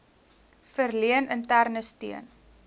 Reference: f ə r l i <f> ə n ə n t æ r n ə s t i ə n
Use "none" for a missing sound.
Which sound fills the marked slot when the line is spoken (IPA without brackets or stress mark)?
none